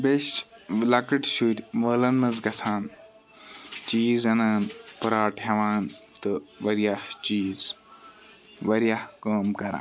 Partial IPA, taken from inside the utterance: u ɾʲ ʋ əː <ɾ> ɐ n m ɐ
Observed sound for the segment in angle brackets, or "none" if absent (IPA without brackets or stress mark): l